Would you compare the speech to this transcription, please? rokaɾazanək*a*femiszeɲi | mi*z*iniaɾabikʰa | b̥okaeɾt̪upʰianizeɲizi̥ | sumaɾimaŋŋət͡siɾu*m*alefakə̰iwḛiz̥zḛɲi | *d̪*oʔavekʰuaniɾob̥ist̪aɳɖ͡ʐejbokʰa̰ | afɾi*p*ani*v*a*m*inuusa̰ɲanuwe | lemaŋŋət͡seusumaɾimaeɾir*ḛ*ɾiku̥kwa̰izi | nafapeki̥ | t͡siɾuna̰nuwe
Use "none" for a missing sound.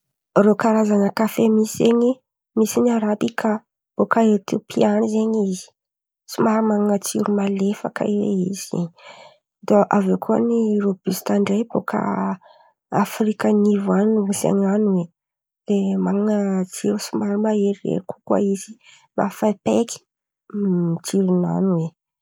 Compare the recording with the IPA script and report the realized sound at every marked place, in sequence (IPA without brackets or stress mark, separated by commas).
a, s, m, d̪, k, v, n, ḛ